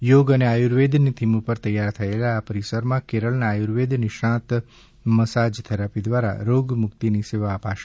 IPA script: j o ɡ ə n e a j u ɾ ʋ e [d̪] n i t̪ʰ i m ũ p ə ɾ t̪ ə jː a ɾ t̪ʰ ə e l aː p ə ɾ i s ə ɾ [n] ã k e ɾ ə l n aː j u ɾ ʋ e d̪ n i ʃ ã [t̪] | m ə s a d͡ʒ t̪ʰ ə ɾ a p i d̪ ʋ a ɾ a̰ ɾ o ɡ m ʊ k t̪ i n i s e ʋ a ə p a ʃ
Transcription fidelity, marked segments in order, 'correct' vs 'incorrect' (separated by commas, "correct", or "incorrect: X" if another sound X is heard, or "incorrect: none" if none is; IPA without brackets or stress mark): correct, incorrect: m, correct